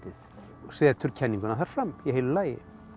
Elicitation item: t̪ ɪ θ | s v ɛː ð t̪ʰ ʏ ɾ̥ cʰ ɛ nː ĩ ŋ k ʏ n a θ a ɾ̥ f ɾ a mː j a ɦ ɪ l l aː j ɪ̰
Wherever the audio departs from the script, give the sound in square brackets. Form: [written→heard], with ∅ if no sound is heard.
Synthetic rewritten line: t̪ ɪ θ | s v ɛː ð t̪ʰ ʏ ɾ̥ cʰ ɛ nː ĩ ŋ k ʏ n a θ a ɾ̥ f ɾ a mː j [a→ɛ] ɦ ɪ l l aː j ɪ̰